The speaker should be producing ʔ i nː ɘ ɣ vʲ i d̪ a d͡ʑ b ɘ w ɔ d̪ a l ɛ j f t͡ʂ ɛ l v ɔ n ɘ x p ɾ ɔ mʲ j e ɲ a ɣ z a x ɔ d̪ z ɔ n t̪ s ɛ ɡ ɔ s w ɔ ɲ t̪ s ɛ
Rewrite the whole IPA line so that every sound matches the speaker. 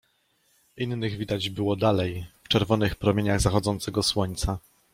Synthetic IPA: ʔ i nː ɘ ɣ vʲ i d̪ a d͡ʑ b ɘ w ɔ d̪ a l ɛ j f t͡ʂ ɛ ɾ v ɔ n ɘ x p ɾ ɔ mʲ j e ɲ a ɣ z a x ɔ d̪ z ɔ n t̪ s ɛ ɡ ɔ s w ɔ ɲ t̪ s a

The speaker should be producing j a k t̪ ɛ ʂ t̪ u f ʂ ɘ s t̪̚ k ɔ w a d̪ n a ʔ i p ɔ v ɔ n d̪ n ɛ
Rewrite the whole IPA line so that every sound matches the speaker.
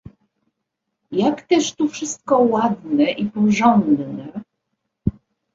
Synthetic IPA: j a k t̪ ɛ ʂ t̪ u f ʂ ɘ s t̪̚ k ɔ w a d̪ n ɛ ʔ i p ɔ ʐ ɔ n d̪ n ɛ

